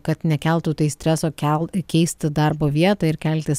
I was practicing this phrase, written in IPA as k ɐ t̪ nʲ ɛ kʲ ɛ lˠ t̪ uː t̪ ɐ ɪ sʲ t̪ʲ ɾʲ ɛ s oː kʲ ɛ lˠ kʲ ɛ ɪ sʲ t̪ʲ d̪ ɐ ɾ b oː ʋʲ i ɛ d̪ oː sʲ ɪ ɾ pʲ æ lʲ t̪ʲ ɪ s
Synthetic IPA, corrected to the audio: k ɐ t̪ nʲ ɛ kʲ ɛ lˠ t̪ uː t̪ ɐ ɪ sʲ t̪ʲ ɾʲ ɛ s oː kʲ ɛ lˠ kʲ ɛ ɪ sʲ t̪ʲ d̪ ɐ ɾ b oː ʋʲ i ɛ t̪ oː ɪ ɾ kʲ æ lʲ t̪ʲ ɪ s